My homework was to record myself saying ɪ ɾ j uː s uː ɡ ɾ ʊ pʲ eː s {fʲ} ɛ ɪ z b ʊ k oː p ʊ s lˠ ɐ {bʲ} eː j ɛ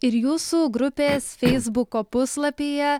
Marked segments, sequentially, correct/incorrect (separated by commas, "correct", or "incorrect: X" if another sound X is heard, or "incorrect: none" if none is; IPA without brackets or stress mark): correct, incorrect: pʲ